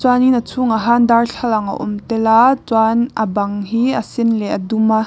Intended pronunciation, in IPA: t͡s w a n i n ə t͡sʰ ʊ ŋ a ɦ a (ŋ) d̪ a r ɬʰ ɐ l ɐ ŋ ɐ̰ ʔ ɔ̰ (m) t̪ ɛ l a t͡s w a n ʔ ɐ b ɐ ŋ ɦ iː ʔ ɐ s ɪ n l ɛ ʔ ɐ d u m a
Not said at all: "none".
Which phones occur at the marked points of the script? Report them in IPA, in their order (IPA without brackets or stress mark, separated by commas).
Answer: n, m